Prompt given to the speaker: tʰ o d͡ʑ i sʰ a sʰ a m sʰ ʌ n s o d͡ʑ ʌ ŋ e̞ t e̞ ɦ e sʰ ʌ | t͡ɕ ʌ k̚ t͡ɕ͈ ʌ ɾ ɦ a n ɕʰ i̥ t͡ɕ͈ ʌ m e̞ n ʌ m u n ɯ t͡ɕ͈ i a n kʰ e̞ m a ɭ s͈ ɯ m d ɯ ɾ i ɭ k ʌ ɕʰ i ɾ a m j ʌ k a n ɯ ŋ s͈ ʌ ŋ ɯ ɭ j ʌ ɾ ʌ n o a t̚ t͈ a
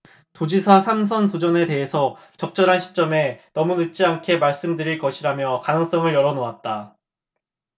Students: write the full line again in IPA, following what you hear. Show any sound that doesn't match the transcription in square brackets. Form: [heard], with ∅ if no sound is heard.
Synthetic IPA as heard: [t] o d͡ʑ i sʰ a sʰ a m sʰ ʌ n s o d͡ʑ ʌ [n] e̞ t e̞ ɦ e sʰ ʌ | t͡ɕ ʌ k̚ t͡ɕ͈ ʌ ɾ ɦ a n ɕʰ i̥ t͡ɕ͈ ʌ m e̞ n ʌ m u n ɯ t͡ɕ͈ i a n kʰ e̞ m a ɭ s͈ ɯ m d ɯ ɾ i ɭ k ʌ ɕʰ i ɾ a m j ʌ k a n ɯ ŋ s͈ ʌ ŋ ɯ ɭ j ʌ ɾ ʌ n o a t̚ t͈ a